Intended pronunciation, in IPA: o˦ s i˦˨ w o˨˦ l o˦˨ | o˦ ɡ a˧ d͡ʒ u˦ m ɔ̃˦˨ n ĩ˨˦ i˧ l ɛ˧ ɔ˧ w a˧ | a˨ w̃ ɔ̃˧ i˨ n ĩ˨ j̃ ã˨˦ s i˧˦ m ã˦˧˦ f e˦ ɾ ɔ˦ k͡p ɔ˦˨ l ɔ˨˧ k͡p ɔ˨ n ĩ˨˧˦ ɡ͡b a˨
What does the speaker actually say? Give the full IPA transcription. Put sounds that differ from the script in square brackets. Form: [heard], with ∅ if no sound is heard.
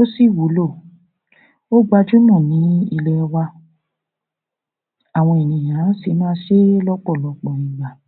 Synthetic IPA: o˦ s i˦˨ w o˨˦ l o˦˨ | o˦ [ɡ͡b] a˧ d͡ʒ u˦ m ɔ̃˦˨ n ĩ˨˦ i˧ l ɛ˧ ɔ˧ w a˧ | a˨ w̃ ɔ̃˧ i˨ n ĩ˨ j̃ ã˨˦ s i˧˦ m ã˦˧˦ [ʃ] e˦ [l] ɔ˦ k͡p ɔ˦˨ l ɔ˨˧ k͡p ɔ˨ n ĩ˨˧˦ ɡ͡b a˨